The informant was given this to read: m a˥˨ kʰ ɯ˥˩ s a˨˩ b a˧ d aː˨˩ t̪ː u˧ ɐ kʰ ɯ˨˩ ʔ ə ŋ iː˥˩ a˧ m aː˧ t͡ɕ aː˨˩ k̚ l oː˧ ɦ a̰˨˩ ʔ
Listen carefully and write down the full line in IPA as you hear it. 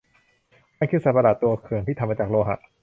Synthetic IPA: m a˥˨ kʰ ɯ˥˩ s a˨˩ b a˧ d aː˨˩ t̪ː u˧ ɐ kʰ ɯ˨˩ ə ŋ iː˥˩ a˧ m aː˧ t͡ɕ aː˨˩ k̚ l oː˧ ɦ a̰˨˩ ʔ